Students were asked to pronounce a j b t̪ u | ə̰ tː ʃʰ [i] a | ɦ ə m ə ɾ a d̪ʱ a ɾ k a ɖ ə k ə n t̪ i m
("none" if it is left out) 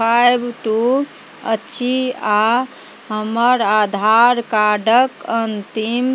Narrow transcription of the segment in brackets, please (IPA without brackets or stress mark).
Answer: i